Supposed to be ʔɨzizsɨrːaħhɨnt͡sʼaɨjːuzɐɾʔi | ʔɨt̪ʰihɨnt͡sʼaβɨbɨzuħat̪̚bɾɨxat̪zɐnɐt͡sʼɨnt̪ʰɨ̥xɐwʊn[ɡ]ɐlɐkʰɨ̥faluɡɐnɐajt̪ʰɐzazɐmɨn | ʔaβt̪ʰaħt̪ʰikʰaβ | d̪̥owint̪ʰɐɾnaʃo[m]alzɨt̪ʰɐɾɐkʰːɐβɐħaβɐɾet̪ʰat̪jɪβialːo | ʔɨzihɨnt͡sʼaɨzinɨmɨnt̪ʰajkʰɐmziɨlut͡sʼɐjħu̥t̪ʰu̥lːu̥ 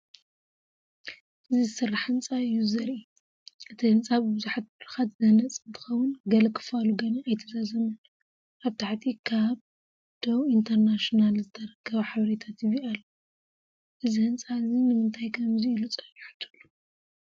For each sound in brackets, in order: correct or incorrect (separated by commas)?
correct, incorrect